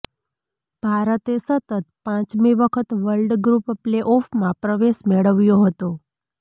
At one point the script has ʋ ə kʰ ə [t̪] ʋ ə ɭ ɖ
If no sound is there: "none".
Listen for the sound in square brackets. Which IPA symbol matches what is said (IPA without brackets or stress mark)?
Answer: t̪